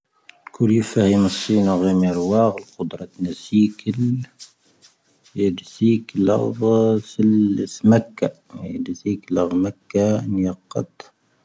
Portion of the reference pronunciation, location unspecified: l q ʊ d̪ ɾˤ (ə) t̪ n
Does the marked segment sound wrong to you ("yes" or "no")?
yes